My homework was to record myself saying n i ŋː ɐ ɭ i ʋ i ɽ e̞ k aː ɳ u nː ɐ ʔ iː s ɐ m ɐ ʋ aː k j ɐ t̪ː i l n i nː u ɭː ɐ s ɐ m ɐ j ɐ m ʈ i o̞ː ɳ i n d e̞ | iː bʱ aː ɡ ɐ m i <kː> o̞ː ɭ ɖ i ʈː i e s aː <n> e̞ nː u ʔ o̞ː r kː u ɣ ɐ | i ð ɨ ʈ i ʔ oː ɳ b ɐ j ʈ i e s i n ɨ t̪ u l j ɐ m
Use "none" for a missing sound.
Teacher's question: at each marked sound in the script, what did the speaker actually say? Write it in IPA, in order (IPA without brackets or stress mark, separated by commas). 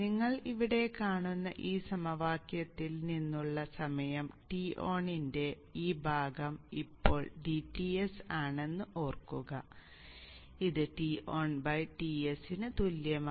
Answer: pː, ɳ